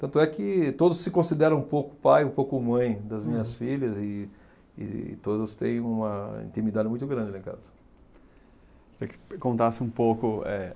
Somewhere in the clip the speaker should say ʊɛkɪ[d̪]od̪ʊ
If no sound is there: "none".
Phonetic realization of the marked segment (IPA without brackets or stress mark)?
t̪